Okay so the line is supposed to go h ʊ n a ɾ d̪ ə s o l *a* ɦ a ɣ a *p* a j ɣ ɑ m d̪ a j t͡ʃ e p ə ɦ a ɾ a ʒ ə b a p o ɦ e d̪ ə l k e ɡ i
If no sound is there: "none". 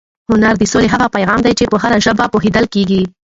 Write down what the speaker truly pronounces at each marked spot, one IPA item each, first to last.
e, p

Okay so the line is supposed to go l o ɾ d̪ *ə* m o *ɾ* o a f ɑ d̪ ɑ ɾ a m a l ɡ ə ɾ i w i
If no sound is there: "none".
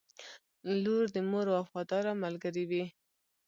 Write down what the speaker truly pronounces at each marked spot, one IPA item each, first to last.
ə, ɾ

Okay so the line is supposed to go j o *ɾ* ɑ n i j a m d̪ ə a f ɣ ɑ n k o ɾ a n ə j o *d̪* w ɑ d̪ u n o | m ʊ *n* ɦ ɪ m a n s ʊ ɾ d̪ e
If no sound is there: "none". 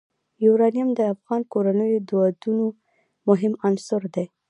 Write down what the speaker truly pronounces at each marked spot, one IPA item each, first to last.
ɾ, d̪, none

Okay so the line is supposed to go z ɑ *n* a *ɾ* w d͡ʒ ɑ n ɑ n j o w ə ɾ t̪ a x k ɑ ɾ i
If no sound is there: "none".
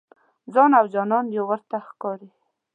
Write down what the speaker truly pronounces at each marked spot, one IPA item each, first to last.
n, none

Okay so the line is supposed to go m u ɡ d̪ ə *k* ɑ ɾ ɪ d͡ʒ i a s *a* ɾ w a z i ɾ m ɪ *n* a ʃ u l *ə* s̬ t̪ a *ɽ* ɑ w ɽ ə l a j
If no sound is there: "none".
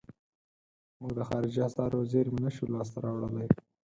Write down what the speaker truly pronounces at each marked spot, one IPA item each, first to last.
x, ɑ, n, ɑ, ɾ

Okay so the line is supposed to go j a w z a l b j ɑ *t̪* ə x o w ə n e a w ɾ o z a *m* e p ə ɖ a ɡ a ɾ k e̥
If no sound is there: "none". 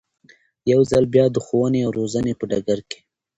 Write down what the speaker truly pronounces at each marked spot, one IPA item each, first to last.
d̪, n

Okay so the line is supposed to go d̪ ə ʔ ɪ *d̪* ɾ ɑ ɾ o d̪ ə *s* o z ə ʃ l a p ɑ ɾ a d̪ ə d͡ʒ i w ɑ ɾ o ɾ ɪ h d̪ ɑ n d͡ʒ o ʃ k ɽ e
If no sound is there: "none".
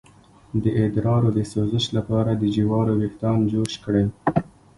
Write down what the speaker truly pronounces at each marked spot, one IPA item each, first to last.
d̪, s

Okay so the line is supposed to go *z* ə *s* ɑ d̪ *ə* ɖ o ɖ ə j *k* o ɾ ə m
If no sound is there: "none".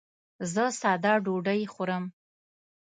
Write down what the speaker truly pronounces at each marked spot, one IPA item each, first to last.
z, s, ɑ, x

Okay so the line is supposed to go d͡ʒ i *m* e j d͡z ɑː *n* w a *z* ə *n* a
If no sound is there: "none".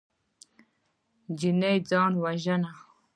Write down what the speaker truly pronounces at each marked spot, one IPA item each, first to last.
n, n, ʒ, n

